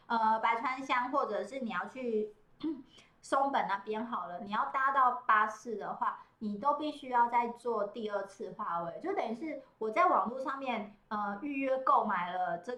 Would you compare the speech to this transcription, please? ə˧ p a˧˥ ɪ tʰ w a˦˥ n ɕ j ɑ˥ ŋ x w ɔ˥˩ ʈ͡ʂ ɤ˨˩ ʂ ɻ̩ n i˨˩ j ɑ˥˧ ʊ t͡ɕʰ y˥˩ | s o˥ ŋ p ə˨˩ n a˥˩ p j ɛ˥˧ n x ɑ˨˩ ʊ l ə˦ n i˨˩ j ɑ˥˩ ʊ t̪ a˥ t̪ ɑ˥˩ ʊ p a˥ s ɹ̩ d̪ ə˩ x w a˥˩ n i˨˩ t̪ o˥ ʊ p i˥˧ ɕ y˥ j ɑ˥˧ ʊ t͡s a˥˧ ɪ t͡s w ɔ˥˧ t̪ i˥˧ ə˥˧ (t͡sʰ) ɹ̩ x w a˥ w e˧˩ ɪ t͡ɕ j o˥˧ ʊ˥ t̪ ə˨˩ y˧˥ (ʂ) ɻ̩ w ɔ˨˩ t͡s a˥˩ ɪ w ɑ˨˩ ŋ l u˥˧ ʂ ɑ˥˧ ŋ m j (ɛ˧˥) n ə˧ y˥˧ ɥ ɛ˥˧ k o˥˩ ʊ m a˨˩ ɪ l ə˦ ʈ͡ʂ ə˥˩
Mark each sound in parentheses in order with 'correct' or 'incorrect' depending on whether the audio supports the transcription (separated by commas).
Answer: correct, correct, incorrect